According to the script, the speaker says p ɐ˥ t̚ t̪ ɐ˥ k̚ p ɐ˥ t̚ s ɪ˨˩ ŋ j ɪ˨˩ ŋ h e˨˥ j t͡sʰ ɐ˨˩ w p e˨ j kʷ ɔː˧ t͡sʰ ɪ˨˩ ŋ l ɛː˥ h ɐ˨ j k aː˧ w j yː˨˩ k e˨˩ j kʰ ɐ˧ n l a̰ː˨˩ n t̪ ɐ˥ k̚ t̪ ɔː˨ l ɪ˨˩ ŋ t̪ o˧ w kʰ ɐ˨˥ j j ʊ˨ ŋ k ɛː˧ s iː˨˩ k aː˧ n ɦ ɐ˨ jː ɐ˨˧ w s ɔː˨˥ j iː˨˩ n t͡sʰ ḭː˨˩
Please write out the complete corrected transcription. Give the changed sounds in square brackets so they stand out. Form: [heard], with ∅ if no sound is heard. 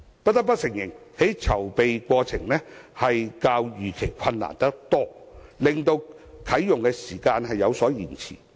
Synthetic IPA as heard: p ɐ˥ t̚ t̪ ɐ˥ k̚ p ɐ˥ t̚ s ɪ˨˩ ŋ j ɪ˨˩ ŋ h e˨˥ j t͡sʰ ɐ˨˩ w p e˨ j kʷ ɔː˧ t͡sʰ ɪ˨˩ ŋ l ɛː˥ h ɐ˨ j k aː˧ w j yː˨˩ [kʰ] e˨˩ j kʰ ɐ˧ n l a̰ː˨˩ n t̪ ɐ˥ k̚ t̪ [ɔː˥] l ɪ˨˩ ŋ t̪ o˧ w kʰ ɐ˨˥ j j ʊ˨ ŋ k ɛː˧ s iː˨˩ k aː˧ n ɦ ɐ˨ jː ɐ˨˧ w s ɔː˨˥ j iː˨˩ n t͡sʰ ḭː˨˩